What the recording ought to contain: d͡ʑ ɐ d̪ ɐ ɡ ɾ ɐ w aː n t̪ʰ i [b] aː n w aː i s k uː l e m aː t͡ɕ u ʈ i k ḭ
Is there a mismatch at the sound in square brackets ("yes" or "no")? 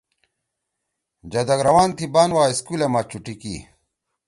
no